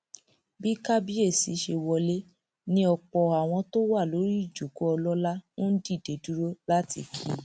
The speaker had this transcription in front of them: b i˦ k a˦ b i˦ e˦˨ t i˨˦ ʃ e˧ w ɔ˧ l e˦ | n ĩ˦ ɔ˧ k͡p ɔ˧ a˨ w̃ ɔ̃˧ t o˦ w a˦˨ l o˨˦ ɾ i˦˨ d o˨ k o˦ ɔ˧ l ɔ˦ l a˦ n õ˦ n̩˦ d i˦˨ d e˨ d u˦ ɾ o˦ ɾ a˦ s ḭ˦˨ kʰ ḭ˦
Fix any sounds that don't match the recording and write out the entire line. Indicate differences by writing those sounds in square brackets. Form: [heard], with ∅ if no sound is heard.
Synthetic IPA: b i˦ k a˦ b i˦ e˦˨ [s] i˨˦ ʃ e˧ w ɔ˧ l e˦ | n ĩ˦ ɔ˧ k͡p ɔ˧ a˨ w̃ ɔ̃˧ t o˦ w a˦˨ l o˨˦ ɾ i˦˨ [d͡ʒ] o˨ k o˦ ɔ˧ l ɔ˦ l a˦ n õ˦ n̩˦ d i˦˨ d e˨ d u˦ ɾ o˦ [l] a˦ [t] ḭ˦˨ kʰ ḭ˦